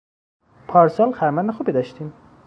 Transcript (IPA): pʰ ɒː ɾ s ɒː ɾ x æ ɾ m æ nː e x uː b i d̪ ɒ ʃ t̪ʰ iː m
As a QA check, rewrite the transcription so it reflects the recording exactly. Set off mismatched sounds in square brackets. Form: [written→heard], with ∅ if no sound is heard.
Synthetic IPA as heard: pʰ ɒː ɾ s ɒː [ɾ→l] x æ ɾ m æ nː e x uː b i d̪ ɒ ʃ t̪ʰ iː m

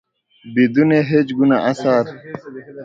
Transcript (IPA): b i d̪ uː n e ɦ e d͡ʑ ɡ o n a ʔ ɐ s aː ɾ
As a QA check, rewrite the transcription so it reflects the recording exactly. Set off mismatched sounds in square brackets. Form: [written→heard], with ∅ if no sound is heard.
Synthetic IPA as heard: b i d̪ [uː→u] n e ɦ e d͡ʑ ɡ [o→u] n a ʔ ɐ s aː ɾ

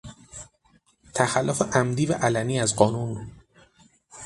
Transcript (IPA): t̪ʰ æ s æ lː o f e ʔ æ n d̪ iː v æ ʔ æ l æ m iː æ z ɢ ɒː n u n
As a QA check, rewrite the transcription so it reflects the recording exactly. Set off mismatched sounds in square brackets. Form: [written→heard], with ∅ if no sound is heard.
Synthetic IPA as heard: t̪ʰ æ [s→x] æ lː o f e ʔ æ [n→m] d̪ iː v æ ʔ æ l æ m iː æ z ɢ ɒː n u n

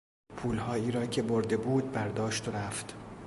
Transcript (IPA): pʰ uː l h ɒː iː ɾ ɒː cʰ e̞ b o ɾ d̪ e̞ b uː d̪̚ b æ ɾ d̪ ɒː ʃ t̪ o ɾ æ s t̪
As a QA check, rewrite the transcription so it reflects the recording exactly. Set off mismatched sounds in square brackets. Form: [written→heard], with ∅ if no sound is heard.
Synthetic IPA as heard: pʰ uː l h ɒː iː ɾ ɒː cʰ e̞ b o ɾ d̪ e̞ b uː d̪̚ b æ ɾ d̪ ɒː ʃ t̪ o ɾ æ [s→f] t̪

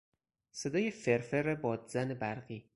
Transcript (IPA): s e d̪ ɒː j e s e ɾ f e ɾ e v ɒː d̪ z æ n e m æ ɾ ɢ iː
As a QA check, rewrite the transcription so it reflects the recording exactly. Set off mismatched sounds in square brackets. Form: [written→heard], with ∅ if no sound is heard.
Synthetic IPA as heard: s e d̪ ɒː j e [s→f] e ɾ f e ɾ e [v→b] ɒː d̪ z æ n e [m→b] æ ɾ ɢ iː

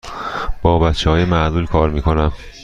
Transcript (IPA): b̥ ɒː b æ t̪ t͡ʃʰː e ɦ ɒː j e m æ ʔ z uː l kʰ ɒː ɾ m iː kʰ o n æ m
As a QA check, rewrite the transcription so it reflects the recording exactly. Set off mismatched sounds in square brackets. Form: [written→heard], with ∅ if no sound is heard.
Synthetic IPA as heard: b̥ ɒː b æ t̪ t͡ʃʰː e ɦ ɒː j e m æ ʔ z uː l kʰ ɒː ɾ m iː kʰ o n æ m

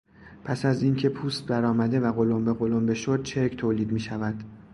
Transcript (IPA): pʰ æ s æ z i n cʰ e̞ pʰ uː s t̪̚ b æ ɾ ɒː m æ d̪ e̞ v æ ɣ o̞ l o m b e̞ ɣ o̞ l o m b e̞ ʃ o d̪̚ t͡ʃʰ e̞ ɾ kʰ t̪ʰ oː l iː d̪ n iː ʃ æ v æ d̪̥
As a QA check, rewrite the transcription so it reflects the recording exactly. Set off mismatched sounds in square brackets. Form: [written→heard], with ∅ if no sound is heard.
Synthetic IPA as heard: pʰ æ s æ z i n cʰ e̞ pʰ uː s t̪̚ b æ ɾ ɒː m æ d̪ e̞ v æ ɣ o̞ l o m b e̞ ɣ o̞ l o m b e̞ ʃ o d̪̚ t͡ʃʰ e̞ ɾ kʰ t̪ʰ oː l iː d̪ [n→m] iː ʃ æ v æ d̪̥

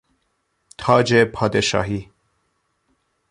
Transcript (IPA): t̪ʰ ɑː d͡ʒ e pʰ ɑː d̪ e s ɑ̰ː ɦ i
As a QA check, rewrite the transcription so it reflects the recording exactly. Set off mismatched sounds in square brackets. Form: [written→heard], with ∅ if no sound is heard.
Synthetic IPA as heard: t̪ʰ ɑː d͡ʒ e pʰ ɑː d̪ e [s→ʃ] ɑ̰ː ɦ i

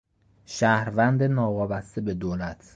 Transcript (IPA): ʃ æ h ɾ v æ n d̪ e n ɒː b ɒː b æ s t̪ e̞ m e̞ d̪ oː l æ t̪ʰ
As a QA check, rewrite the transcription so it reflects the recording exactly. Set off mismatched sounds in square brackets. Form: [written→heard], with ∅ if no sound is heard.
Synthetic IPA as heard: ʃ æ h ɾ v æ n d̪ e n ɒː [b→v] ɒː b æ s t̪ e̞ [m→b] e̞ d̪ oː l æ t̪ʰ

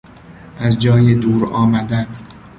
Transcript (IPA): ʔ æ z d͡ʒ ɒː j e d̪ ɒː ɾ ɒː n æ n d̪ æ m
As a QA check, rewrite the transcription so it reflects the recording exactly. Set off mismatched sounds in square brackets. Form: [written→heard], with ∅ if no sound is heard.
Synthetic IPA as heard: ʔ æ z d͡ʒ ɒː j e d̪ [ɒː→uː] ɾ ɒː [n→m] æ [n→∅] d̪ æ [m→n]

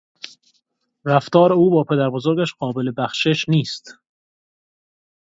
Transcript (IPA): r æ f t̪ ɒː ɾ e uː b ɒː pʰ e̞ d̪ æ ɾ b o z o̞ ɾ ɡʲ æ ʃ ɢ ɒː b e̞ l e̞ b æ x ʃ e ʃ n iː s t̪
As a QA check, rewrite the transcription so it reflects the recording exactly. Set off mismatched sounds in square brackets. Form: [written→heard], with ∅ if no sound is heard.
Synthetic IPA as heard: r æ f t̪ ɒː ɾ e uː b ɒː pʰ e̞ d̪ æ ɾ b o z o̞ ɾ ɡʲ æ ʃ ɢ ɒː b e̞ l e̞ b æ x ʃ e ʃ n iː s t̪

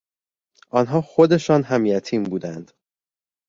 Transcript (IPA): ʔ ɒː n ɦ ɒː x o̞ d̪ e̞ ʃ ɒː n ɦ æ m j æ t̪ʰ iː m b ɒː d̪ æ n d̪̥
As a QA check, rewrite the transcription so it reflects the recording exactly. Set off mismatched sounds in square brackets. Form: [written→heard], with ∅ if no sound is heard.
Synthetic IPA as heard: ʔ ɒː n ɦ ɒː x o̞ d̪ e̞ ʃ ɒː n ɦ æ m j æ t̪ʰ iː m b [ɒː→uː] d̪ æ n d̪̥

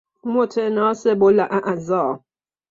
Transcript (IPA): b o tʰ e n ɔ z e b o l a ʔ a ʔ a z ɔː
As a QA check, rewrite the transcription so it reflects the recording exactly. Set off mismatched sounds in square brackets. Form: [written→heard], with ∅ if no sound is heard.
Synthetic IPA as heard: [b→m] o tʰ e n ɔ [z→s] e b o l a ʔ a ʔ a z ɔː

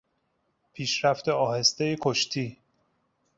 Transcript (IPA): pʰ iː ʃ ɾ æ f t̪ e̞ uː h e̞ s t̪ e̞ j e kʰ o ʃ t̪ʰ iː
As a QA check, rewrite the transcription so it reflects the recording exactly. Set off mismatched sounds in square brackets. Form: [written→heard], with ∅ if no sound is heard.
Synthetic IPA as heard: pʰ iː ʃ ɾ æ f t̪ e̞ [uː→ɒː] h e̞ s t̪ e̞ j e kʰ o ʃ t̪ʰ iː

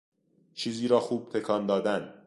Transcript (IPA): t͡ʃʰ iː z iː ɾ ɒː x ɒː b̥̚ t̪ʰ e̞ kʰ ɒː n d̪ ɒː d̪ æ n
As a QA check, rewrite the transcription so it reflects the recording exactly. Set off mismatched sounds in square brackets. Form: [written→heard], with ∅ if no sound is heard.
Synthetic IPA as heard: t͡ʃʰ iː z iː ɾ ɒː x [ɒː→uː] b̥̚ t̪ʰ e̞ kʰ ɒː n d̪ ɒː d̪ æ n

